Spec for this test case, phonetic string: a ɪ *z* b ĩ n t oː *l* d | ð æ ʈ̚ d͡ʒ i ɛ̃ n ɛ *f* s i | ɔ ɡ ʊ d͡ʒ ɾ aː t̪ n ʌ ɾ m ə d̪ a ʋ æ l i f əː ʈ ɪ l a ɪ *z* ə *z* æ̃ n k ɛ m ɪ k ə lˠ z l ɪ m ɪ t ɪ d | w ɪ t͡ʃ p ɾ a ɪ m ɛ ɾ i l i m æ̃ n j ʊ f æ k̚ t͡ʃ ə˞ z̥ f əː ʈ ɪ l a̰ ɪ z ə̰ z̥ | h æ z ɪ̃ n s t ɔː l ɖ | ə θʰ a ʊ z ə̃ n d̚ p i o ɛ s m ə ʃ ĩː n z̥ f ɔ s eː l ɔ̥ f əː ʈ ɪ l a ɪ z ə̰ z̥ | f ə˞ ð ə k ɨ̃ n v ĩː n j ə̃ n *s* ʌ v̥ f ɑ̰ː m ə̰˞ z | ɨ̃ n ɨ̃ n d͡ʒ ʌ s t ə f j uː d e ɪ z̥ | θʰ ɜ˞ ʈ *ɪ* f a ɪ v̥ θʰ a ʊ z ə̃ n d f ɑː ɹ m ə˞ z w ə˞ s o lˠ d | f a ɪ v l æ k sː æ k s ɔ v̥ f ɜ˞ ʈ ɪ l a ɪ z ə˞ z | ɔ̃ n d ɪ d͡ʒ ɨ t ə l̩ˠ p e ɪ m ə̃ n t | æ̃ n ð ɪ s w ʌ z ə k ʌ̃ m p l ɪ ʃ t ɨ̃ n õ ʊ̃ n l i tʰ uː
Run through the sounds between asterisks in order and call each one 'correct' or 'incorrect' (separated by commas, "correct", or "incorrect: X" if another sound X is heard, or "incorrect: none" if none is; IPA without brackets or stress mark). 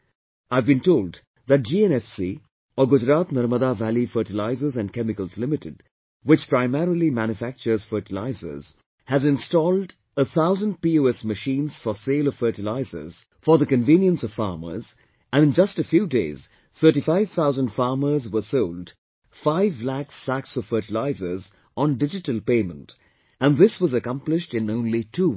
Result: incorrect: v, correct, correct, correct, correct, correct, incorrect: i